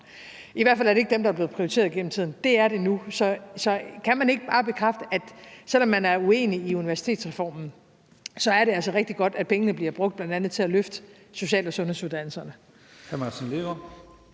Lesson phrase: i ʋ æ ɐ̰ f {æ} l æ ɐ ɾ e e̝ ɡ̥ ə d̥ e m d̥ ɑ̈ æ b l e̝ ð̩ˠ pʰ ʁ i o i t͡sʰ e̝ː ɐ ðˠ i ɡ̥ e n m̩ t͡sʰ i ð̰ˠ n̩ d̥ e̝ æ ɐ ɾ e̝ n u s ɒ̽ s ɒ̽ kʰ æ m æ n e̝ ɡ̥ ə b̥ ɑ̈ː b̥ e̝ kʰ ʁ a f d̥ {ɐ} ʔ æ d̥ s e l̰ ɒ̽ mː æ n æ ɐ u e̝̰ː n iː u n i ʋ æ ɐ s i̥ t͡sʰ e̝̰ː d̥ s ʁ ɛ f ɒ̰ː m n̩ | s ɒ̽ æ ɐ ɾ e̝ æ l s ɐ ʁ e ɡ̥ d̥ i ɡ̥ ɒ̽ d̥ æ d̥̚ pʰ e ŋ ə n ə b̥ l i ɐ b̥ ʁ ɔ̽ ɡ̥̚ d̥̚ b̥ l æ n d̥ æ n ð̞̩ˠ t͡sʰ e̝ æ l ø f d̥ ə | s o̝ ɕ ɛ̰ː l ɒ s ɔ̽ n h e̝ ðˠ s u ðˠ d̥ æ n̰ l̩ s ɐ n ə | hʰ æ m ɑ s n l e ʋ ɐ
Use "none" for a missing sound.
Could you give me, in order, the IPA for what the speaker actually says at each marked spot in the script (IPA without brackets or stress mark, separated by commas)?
æ, ə